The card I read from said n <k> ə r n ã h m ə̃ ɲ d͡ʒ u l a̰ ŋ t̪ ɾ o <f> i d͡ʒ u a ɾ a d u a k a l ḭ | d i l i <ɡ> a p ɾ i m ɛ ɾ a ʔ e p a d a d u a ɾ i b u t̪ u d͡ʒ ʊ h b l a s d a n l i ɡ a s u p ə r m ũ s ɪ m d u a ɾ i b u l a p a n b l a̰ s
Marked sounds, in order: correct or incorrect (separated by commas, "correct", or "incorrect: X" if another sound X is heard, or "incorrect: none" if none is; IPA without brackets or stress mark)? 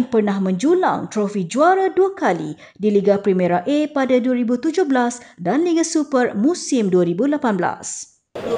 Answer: incorrect: p, correct, correct